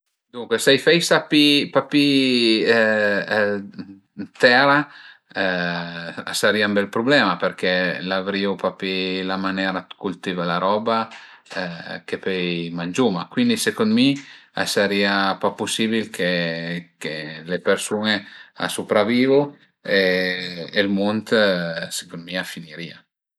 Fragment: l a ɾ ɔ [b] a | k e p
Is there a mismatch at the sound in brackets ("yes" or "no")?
no